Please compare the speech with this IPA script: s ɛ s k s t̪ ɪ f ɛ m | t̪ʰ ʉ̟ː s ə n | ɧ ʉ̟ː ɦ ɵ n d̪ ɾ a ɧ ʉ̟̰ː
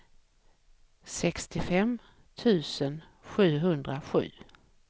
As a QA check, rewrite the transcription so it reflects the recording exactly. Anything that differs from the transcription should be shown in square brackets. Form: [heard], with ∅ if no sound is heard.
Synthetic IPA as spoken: s ɛ [∅] k s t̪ ɪ f ɛ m | t̪ʰ ʉ̟ː s ə n | ɧ ʉ̟ː ɦ ɵ n d̪ ɾ a ɧ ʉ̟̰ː